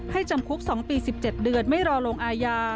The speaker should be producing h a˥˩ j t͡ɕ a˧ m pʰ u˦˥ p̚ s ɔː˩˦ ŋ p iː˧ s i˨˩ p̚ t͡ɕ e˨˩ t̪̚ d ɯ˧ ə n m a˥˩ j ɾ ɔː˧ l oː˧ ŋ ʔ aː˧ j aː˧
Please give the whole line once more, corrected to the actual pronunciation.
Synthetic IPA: h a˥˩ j t͡ɕ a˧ m kʰ u˦˥ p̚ s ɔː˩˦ ŋ p iː˧ s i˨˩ p̚ t͡ɕ e˨˩ t̪̚ d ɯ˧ ə n m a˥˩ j ɾ ɔː˧ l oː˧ ŋ ʔ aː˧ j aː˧